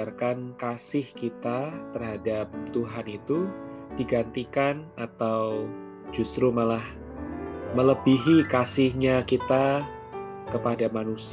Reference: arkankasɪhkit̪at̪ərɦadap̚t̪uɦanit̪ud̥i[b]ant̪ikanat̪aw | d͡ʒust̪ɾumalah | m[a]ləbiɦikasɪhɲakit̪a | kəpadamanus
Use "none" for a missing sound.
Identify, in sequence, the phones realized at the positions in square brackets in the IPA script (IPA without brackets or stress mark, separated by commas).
ɡ, ə